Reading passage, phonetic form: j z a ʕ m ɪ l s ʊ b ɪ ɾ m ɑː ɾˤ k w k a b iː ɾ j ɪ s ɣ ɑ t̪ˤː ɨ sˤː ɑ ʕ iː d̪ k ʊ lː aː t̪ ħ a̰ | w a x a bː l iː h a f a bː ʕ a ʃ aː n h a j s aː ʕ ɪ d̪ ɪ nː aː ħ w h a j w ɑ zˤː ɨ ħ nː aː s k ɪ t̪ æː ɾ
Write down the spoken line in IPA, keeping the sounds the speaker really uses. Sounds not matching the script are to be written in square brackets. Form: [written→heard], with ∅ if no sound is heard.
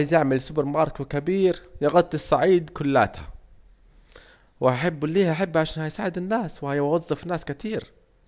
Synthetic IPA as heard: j z a ʕ m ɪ l s ʊ b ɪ ɾ m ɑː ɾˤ k w k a b iː ɾ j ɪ [s→∅] ɣ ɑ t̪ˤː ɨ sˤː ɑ ʕ iː d̪ k ʊ lː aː t̪ [ħ→h] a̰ | w a [x→ħ] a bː l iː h a [f→ħ] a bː ʕ a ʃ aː n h a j s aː ʕ ɪ d̪ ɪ nː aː [ħ→s] w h a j w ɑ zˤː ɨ [ħ→f] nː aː s k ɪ t̪ [æː→iː] ɾ